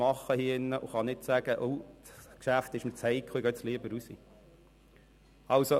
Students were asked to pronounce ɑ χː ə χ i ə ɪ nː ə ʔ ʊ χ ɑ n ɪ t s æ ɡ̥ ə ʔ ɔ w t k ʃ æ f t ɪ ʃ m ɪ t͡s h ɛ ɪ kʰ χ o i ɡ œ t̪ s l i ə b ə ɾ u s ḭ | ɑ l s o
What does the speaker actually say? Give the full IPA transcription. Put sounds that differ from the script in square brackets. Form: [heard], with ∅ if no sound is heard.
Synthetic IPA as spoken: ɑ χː ə [h] i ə ɪ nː ə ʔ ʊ χ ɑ n ɪ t s æ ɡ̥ ə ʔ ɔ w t k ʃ æ f t ɪ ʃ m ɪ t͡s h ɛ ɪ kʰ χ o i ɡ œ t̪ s l i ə b ə ɾ u s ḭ | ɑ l s o